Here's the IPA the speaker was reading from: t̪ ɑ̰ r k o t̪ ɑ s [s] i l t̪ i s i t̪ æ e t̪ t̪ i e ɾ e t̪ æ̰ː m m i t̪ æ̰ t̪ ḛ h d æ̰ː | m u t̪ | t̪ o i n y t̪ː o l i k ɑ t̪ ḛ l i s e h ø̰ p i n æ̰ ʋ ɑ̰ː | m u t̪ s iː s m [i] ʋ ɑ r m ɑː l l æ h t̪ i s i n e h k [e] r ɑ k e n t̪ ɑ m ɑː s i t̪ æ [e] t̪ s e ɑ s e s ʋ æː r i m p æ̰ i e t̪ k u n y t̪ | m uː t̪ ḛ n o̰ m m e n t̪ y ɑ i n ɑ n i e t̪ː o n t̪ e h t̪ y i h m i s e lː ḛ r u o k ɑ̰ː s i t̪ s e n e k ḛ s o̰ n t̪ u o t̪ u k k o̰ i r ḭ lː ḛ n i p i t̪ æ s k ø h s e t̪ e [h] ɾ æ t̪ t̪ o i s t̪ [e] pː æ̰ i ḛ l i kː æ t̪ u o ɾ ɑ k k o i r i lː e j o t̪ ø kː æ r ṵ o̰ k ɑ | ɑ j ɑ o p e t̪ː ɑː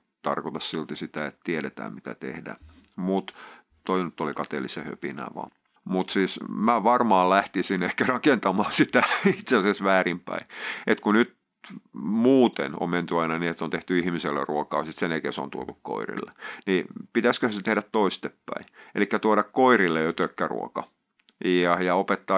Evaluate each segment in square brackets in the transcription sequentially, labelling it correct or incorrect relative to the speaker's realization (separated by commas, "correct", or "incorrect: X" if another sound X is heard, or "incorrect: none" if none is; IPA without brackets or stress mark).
correct, incorrect: æ, incorrect: æ, incorrect: i, correct, correct